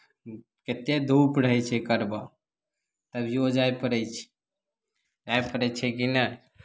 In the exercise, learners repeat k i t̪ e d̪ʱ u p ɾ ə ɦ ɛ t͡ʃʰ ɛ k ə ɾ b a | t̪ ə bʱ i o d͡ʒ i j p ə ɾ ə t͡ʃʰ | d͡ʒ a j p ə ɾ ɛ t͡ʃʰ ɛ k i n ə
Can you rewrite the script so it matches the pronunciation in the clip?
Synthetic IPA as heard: k e t̪ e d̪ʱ u p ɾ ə ɦ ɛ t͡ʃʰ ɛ k ə ɾ b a | t̪ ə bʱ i o d͡ʒ a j p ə ɾ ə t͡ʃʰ | d͡ʒ a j p ə ɾ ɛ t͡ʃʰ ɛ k i n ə